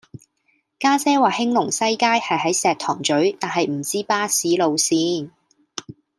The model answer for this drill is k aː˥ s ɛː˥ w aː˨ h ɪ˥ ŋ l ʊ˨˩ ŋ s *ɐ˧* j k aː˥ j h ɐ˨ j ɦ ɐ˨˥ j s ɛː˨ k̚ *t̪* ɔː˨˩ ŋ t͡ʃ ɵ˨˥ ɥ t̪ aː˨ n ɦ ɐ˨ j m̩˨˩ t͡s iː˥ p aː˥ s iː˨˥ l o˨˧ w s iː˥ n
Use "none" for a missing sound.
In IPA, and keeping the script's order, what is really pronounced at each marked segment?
ɐ˥, t̪ʰ

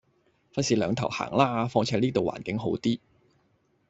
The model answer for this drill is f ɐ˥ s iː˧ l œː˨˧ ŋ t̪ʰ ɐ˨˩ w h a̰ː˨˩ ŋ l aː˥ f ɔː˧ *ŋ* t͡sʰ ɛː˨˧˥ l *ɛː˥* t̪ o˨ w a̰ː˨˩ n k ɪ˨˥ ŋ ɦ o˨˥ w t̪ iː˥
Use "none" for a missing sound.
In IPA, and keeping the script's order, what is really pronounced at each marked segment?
ŋ, iː˥

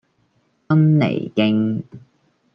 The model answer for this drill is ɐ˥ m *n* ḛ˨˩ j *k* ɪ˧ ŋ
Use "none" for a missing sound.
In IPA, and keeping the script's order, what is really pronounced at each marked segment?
n, k

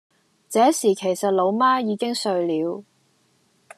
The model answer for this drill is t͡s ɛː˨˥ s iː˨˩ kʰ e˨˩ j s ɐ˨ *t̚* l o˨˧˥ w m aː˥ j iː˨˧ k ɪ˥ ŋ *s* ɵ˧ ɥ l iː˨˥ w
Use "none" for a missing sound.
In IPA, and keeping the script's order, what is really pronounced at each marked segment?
t̚, s

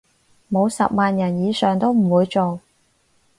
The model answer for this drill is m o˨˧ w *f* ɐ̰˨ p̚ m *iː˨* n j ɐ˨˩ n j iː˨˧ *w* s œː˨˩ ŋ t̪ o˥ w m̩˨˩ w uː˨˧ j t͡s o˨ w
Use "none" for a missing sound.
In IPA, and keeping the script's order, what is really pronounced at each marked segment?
s, aː˨, none

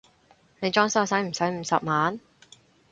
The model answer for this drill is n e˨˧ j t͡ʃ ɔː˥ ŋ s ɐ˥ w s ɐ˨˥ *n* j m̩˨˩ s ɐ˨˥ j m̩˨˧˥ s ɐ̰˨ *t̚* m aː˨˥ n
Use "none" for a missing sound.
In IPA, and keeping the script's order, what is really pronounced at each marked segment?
none, p̚

